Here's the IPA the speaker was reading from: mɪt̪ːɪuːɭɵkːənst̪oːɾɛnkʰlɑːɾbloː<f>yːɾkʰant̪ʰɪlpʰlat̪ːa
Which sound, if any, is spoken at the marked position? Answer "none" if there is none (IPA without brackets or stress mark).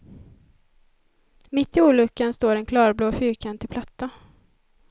f